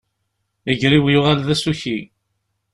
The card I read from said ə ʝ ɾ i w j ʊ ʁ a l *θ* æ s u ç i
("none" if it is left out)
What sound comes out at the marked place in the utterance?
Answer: ð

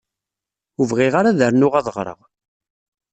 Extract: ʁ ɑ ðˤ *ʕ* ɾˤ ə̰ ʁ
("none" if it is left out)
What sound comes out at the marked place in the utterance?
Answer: ʁ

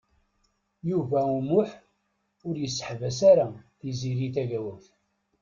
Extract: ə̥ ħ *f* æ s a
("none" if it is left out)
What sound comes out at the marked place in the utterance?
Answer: v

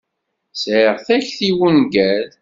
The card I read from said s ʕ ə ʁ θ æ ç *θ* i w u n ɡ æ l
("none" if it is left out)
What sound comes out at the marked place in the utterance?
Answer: θ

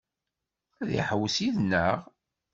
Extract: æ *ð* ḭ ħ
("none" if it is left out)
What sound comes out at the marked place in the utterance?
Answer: ð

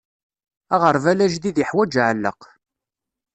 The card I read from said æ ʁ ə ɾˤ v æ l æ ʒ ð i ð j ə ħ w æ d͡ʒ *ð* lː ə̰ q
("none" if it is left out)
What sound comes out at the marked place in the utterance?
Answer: ʕ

